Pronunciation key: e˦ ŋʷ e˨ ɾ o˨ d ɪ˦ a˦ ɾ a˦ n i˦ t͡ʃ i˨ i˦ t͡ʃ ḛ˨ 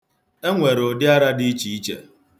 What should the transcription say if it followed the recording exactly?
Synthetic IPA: e˦ ŋʷ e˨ ɾ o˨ d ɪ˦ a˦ ɾ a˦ d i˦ t͡ʃ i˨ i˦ t͡ʃ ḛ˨